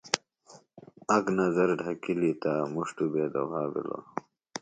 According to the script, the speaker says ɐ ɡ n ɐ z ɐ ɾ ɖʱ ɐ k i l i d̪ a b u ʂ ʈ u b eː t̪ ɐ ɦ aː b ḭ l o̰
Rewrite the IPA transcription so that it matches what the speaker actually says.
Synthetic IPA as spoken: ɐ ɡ n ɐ z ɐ ɾ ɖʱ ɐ k i l i t̪ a m u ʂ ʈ u b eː d̪ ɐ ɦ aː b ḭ l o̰